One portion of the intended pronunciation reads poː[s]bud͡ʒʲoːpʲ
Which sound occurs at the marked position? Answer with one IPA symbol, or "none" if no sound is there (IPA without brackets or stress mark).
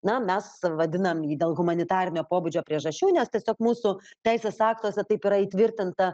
none